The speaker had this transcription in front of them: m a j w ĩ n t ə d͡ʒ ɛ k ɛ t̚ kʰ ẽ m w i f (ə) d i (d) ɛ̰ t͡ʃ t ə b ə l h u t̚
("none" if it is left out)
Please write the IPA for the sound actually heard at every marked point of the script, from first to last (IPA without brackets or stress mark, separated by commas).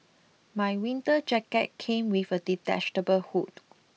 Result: ə, t